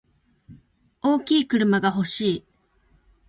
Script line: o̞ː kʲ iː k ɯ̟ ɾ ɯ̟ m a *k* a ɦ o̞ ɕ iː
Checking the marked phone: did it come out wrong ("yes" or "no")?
yes